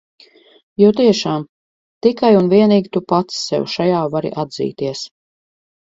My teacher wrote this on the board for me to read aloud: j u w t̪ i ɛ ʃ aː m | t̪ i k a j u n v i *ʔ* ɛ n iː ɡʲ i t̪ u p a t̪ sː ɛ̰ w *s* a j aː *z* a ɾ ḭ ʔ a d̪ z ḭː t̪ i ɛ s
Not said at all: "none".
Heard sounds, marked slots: none, ʃ, v

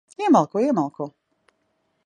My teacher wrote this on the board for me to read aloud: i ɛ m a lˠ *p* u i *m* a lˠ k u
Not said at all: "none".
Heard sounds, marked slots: k, m

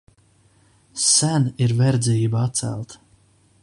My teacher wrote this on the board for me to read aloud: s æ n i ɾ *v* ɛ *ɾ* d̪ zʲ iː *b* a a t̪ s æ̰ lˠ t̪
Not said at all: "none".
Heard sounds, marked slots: v, ɾ, b

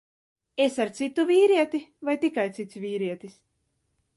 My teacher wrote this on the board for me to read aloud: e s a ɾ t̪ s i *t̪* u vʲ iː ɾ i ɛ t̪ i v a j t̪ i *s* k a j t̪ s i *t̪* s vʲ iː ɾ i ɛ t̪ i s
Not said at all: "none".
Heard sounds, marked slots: t̪, none, t̪

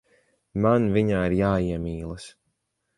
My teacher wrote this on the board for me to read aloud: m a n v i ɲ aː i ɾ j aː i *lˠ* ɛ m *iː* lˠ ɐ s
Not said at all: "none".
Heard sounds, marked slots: none, iː

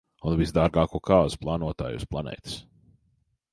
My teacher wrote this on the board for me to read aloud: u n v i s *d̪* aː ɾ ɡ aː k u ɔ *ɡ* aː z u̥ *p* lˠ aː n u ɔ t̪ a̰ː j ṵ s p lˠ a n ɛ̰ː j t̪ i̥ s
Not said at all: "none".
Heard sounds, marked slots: d̪, k, p

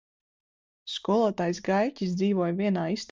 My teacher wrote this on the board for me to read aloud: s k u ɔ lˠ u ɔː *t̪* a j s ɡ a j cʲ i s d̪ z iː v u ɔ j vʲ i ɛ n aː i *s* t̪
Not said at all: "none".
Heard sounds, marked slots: t̪, s

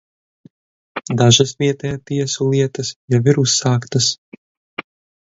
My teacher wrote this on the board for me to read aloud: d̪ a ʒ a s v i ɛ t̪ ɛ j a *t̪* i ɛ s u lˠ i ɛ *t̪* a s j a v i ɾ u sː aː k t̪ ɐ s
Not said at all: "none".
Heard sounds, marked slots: t̪, t̪

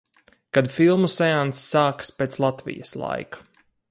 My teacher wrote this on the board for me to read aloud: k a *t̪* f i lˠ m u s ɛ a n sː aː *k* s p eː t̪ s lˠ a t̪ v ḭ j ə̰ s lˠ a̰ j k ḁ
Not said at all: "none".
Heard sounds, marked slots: d̪, k

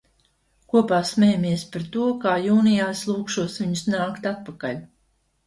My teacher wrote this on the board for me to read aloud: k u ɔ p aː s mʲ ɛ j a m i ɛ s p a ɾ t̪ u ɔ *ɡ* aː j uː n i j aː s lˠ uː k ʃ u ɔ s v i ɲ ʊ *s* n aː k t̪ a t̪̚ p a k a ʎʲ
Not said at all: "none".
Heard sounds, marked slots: k, s

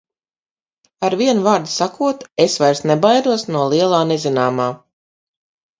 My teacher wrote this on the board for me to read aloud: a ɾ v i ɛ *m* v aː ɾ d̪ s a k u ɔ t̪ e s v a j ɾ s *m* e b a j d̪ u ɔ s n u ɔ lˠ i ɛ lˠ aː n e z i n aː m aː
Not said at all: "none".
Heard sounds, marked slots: n, n

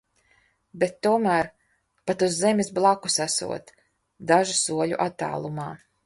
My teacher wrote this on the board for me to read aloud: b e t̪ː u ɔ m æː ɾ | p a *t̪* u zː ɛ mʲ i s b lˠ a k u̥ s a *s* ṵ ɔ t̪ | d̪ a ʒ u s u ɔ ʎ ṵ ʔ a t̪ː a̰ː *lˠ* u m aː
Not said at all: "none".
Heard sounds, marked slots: t̪, s, lˠ

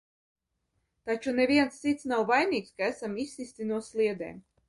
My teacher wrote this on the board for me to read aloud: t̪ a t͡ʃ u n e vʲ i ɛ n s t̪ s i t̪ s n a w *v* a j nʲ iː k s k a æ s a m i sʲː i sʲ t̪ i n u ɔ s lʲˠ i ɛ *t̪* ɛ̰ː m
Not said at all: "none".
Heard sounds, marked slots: v, d̪

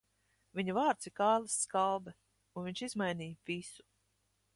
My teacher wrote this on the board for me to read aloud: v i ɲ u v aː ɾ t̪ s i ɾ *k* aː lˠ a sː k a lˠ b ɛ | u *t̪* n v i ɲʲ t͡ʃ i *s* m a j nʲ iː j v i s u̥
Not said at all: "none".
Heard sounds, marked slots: k, none, z

